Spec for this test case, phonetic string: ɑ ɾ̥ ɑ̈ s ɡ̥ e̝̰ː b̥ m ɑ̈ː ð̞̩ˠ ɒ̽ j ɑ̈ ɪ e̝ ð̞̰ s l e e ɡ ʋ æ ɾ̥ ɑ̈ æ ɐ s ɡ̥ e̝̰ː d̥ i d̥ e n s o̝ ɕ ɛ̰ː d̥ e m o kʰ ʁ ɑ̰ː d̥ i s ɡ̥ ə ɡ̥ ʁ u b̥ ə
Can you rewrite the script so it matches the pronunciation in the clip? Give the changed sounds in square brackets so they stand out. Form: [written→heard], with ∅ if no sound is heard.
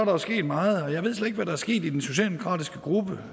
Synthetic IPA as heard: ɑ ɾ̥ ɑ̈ s ɡ̥ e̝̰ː [b̥→d̥] m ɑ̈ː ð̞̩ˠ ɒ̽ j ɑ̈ ɪ e̝ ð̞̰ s l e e ɡ ʋ æ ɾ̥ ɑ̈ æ ɐ s ɡ̥ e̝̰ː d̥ i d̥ e n s o̝ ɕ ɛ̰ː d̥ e m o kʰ ʁ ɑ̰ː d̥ i s ɡ̥ ə ɡ̥ ʁ u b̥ ə